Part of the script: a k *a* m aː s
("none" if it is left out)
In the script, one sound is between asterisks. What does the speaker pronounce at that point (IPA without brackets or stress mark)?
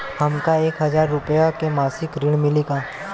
e